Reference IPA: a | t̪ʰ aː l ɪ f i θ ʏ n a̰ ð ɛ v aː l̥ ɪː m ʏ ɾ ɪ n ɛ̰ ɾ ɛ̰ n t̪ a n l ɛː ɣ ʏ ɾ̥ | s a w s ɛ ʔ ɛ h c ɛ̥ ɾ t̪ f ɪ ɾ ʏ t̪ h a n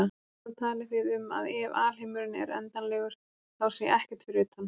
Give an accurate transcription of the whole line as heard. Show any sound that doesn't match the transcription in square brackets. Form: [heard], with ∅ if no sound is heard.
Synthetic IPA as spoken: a | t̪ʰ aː l ɪ [θ] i [ð] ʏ [m] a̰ ð ɛ v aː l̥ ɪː m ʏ ɾ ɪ n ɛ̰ ɾ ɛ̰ n t̪ a n l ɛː ɣ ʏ ɾ̥ | [θ] a w s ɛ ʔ ɛ h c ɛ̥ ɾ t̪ f ɪ ɾ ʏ t̪ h a n